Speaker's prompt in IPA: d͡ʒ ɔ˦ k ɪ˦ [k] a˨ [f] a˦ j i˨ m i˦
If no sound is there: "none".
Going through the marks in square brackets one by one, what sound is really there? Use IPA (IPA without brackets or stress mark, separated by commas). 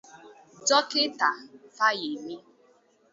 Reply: t, f